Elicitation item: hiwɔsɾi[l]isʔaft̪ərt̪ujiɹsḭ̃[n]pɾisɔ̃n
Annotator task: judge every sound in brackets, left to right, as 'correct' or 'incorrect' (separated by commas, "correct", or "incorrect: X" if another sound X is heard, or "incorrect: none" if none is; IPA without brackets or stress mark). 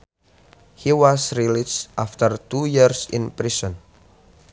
correct, correct